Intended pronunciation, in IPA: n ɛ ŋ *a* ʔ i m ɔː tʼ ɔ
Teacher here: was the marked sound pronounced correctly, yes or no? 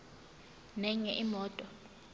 no